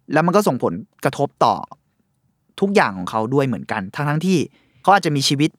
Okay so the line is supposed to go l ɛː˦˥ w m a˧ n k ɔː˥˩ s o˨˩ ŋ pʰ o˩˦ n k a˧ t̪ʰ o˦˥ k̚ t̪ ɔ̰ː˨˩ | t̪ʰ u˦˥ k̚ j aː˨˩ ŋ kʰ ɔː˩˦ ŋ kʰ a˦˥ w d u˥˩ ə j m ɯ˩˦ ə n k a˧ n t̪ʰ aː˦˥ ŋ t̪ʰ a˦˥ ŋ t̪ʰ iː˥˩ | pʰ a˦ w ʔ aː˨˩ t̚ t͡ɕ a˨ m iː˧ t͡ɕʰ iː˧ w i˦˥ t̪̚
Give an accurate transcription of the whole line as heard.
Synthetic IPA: l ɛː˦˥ w m a˧ n k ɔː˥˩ s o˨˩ ŋ pʰ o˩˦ n k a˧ t̪ʰ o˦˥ p̚ t̪ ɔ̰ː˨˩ | t̪ʰ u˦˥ k̚ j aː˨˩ ŋ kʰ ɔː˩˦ ŋ kʰ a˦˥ w d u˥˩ ə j m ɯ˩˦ ə n k a˧ n t̪ʰ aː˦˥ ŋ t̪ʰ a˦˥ ŋ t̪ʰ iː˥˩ | kʰ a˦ w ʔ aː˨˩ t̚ t͡ɕ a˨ m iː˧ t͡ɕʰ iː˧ w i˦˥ t̪̚